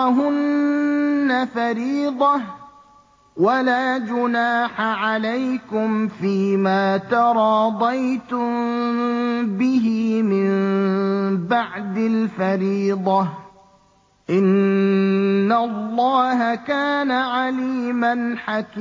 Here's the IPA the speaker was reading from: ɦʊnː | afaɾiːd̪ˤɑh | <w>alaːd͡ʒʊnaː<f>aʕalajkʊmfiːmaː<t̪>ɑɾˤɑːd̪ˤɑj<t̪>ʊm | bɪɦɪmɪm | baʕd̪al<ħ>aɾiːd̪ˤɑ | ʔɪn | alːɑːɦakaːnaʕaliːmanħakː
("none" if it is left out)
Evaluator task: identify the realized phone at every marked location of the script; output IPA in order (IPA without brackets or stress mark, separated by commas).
w, ħ, t̪, t̪, f